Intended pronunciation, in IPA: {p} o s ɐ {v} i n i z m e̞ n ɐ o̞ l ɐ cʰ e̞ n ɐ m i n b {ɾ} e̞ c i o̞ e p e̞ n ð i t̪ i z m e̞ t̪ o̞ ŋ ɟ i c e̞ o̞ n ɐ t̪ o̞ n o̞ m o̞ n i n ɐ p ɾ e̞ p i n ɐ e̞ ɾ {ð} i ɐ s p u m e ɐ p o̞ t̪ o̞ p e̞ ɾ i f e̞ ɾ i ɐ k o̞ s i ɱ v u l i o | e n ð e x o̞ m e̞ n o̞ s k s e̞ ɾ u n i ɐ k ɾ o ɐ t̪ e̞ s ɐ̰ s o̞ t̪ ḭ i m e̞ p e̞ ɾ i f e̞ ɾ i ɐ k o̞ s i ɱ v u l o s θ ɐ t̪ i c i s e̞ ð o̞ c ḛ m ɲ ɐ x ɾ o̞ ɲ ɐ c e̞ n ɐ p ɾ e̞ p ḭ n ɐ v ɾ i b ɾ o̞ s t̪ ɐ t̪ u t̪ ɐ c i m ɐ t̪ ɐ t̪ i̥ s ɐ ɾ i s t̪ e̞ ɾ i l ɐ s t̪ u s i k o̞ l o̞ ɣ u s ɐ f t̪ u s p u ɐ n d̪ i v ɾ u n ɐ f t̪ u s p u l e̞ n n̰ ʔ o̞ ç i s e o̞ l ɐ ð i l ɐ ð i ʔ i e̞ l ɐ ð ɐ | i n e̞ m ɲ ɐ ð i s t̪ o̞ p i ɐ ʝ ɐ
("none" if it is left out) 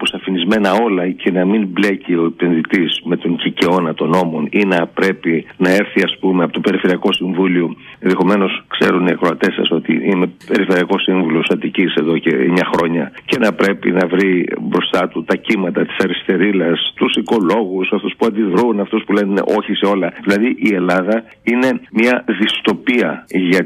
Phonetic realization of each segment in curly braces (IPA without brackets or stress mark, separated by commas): p, f, l, θ